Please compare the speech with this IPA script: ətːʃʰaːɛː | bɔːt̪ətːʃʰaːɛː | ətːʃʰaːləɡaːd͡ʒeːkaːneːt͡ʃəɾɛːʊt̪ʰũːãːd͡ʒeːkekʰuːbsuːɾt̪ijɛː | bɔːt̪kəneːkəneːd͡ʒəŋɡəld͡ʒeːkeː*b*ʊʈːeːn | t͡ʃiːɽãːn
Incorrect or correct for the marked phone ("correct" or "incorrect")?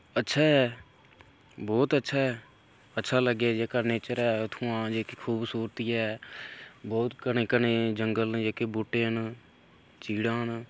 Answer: correct